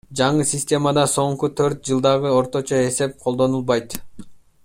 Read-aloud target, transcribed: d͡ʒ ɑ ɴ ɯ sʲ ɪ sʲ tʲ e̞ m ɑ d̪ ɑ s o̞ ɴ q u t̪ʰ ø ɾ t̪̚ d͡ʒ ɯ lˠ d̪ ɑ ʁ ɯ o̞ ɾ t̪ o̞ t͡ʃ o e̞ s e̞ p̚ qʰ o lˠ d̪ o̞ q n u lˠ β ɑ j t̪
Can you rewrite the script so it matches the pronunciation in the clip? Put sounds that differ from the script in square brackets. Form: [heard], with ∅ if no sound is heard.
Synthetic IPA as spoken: d͡ʒ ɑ ɴ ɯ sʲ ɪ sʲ tʲ e̞ m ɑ d̪ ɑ s o̞ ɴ q u t̪ʰ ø ɾ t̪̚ d͡ʒ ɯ lˠ d̪ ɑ ʁ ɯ o̞ ɾ t̪ o̞ t͡ʃ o e̞ s e̞ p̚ qʰ o lˠ d̪ o̞ [∅] n u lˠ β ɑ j t̪